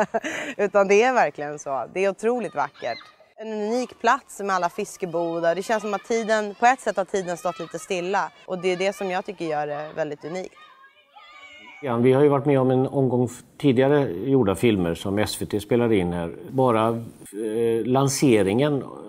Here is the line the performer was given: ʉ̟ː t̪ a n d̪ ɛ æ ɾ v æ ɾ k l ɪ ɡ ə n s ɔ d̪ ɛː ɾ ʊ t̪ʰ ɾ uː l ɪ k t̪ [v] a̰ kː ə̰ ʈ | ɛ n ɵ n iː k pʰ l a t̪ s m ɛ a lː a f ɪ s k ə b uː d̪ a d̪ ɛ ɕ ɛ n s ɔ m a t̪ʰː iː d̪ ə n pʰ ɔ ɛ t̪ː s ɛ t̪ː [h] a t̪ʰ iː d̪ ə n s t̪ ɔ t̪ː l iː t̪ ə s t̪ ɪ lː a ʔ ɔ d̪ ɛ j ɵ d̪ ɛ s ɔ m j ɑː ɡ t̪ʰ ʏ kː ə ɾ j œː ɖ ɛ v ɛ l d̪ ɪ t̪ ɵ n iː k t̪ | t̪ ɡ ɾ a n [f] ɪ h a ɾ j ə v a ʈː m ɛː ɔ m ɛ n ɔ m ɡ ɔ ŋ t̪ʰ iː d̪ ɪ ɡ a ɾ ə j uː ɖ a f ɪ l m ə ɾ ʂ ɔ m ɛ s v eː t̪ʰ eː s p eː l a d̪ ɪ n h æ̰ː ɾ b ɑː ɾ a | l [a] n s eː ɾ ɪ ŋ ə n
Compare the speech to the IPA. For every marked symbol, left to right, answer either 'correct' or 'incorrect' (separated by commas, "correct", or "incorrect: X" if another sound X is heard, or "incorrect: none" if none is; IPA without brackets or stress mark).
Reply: correct, correct, incorrect: v, correct